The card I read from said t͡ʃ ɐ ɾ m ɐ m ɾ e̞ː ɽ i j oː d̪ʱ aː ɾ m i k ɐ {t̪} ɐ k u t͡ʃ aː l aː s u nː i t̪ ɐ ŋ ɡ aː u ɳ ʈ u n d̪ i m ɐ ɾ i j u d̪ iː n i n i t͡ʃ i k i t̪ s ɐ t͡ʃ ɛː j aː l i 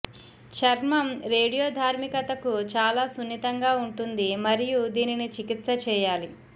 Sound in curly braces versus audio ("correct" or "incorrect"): correct